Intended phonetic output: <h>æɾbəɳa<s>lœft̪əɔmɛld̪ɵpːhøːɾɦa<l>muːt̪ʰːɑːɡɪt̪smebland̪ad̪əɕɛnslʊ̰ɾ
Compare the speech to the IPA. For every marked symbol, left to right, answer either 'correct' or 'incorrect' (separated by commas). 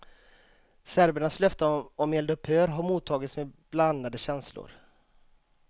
incorrect, correct, incorrect